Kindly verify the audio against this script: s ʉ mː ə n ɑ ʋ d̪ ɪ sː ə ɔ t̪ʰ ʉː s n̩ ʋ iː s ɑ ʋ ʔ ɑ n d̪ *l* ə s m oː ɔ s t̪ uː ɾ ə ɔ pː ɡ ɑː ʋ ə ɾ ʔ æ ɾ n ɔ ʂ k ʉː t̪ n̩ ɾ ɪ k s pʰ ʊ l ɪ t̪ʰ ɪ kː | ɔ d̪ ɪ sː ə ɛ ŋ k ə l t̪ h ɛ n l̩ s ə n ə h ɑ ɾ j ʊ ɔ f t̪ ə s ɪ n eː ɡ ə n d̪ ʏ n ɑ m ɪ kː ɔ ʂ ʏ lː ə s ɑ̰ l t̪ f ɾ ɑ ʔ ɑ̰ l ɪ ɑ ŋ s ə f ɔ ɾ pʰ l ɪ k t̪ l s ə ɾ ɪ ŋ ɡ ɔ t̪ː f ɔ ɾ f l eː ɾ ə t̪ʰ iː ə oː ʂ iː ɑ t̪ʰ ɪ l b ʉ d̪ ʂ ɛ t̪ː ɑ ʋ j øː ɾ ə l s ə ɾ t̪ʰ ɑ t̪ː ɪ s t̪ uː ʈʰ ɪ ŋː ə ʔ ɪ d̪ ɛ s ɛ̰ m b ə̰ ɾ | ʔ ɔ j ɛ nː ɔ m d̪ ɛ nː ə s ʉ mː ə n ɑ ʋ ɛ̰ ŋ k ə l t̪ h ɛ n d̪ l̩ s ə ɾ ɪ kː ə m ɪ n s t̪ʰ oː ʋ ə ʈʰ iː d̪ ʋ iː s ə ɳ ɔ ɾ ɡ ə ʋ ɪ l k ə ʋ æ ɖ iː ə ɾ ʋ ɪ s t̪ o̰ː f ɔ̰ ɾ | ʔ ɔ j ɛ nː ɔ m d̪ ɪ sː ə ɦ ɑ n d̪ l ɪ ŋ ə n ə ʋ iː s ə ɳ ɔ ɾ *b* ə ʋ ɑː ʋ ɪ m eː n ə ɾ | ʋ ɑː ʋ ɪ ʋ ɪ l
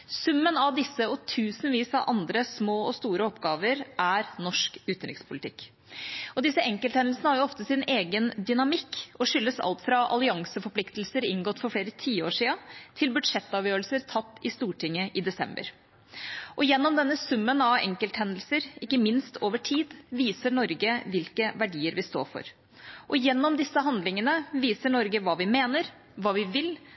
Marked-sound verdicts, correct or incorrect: incorrect, incorrect

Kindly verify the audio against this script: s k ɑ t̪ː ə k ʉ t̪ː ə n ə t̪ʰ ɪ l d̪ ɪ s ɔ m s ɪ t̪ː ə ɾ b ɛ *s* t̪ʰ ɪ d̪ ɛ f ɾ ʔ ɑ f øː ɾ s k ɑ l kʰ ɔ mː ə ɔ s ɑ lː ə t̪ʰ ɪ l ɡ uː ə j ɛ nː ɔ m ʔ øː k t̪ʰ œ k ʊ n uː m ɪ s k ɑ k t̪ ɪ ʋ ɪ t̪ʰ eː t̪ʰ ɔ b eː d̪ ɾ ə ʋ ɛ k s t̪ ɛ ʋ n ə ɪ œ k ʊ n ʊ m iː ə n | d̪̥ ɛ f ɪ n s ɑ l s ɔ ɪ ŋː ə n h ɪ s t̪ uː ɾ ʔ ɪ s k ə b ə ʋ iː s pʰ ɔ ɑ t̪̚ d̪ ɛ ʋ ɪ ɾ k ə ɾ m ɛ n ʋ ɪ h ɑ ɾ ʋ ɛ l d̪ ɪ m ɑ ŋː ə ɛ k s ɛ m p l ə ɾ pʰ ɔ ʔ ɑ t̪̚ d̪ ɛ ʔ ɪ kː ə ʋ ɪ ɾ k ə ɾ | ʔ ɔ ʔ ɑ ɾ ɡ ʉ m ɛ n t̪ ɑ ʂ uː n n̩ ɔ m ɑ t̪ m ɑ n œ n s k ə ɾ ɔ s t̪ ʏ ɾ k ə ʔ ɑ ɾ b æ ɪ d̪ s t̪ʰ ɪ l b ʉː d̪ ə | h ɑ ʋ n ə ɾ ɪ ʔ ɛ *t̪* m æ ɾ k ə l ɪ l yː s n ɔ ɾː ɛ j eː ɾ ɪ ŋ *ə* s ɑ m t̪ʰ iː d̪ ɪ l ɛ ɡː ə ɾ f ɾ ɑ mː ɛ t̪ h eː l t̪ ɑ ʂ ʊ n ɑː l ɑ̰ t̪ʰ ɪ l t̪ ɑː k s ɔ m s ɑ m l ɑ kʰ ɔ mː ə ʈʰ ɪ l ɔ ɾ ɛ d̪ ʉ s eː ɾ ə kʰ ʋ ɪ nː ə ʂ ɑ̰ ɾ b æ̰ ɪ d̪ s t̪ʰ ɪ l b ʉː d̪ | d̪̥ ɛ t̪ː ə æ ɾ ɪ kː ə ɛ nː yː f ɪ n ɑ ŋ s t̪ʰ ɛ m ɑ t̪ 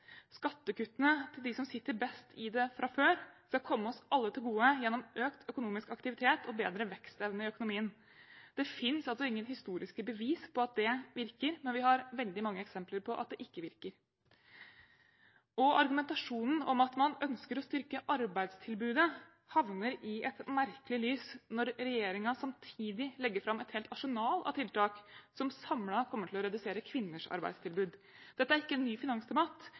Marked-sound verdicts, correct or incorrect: correct, correct, incorrect

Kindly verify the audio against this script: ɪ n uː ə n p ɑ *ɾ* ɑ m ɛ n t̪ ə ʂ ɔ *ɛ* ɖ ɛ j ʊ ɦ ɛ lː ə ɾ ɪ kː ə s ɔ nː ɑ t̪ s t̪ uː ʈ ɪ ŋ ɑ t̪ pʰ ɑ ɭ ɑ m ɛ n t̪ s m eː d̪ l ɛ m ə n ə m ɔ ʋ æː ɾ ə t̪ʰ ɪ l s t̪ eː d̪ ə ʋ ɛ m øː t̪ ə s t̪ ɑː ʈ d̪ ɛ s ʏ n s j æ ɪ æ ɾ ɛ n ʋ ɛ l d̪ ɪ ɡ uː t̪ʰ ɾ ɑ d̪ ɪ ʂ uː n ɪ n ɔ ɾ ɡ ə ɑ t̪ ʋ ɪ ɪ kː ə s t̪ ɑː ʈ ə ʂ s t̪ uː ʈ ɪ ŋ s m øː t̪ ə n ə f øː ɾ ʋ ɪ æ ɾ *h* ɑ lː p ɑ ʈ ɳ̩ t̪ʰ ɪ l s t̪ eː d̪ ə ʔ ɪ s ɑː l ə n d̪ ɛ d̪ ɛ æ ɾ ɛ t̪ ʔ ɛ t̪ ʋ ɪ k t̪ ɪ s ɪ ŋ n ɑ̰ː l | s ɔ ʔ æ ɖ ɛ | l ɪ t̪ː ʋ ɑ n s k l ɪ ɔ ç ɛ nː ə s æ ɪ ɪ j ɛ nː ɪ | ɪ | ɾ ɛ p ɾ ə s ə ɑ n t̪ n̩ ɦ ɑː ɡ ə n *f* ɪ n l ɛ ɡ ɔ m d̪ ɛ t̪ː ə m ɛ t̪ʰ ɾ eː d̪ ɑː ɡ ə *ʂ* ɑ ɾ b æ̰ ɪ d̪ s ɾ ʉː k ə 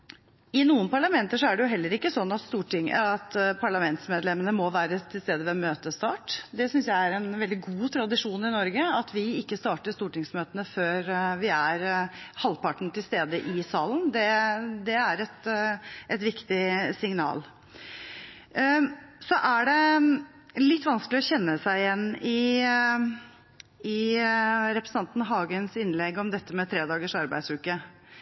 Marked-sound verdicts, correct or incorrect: incorrect, incorrect, correct, incorrect, correct

